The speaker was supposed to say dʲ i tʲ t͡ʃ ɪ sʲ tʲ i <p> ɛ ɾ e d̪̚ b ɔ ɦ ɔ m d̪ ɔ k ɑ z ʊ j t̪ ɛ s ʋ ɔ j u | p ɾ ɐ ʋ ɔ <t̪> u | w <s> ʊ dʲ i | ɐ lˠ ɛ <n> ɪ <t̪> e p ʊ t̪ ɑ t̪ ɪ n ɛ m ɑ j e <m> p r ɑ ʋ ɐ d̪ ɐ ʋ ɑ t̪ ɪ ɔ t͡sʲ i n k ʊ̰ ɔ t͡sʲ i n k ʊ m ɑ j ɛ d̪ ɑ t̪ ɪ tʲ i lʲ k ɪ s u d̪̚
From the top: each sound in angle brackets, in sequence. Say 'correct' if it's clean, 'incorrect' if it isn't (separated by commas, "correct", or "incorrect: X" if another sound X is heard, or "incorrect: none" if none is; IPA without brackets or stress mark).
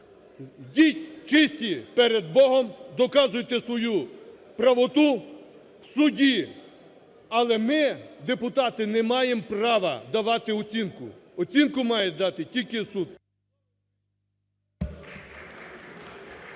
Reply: correct, correct, correct, incorrect: m, incorrect: d̪, correct